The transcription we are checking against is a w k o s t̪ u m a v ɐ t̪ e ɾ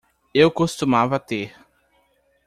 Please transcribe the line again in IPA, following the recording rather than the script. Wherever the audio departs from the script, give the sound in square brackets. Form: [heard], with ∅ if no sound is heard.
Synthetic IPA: [e] w k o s t̪ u m a v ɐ t̪ e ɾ